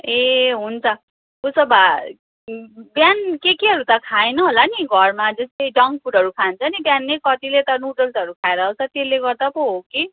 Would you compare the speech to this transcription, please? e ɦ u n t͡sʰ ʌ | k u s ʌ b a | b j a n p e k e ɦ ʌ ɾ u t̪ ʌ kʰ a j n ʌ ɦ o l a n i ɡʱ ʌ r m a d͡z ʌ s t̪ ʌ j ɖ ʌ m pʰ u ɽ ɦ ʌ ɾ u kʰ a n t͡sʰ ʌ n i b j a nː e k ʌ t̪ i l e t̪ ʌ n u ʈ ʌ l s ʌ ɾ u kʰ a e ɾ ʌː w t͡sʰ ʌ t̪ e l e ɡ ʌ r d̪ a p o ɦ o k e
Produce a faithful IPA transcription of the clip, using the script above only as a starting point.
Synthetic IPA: e ɦ u n t͡sʰ ʌ | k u s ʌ b a | b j a n k e k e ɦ ʌ ɾ u t̪ ʌ kʰ a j n ʌ ɦ o l a n i ɡʱ ʌ r m a d͡z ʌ s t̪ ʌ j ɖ ʌ ŋ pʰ u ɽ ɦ ʌ ɾ u kʰ a n t͡sʰ ʌ n i b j a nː e k ʌ t̪ i l e t̪ ʌ n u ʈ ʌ l s ʌ ɾ u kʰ a e ɾ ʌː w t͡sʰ ʌ t̪ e l e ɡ ʌ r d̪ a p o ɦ o k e